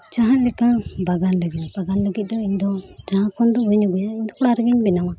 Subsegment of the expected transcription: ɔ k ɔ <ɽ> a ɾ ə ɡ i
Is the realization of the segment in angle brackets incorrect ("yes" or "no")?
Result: no